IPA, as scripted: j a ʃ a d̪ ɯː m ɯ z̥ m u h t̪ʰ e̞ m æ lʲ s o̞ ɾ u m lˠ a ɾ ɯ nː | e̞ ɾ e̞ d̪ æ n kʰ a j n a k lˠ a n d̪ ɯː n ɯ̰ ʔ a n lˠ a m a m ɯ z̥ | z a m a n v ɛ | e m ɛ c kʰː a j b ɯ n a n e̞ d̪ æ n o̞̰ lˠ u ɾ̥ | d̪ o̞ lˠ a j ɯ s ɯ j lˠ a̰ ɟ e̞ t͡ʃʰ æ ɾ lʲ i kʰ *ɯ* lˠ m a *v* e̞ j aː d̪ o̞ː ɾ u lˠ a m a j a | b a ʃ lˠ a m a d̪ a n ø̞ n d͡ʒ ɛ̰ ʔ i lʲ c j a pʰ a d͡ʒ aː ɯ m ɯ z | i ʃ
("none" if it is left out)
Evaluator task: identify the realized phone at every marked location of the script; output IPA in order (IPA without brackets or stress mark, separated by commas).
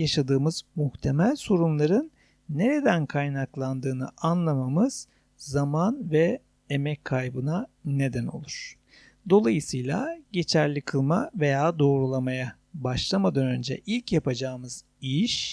ɯ, v